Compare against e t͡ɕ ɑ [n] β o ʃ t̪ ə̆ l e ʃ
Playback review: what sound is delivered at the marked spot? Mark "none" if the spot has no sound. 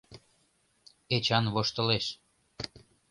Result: n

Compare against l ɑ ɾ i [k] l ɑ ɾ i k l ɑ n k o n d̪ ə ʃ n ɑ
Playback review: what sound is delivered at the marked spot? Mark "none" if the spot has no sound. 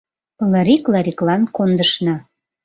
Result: k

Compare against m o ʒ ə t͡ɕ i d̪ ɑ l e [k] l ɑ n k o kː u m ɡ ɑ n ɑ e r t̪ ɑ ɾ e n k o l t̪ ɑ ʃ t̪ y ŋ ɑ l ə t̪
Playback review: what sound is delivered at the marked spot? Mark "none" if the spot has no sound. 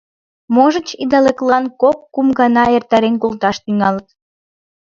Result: k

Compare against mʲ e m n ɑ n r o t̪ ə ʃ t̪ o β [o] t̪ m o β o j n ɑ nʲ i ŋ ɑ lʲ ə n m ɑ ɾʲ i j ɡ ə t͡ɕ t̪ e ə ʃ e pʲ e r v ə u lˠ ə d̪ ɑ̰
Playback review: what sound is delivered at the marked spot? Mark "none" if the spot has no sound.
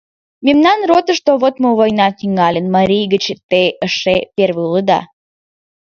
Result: o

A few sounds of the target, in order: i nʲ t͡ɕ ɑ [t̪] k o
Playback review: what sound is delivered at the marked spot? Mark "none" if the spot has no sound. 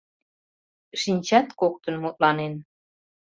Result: t̪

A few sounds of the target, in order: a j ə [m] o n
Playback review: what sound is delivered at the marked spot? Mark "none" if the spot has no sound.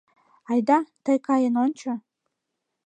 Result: n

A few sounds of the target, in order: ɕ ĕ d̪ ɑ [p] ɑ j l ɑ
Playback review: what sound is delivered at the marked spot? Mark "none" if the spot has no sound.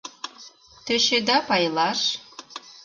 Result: p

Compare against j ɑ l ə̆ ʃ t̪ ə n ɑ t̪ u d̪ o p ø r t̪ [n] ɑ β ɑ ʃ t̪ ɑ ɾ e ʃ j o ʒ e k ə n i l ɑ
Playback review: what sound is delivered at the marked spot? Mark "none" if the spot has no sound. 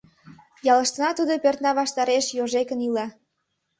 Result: n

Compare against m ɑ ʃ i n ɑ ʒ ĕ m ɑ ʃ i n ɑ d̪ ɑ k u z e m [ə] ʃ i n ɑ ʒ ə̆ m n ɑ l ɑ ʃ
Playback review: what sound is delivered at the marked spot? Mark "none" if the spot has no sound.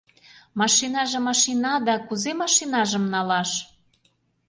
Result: ɑ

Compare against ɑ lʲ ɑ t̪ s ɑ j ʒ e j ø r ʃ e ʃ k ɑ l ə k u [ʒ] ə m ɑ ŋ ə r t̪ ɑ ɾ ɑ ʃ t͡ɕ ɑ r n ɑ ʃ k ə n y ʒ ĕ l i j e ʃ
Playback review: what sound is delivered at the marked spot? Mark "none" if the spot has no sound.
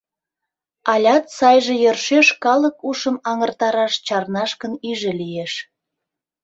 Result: ʃ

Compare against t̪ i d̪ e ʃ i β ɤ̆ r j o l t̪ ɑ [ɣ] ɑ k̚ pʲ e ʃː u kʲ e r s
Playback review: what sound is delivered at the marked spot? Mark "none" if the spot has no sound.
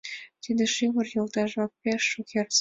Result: ʒ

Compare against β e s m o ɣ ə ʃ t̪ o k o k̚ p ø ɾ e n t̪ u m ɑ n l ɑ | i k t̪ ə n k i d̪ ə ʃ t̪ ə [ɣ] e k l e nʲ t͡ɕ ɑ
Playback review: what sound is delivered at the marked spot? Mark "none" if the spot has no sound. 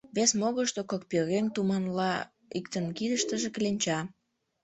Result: ʒ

